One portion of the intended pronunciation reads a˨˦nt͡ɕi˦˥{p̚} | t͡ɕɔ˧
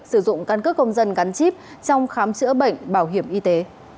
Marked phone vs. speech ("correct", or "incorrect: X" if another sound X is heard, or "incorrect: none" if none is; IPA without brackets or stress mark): correct